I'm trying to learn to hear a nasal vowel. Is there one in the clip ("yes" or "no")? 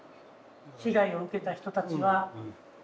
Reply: no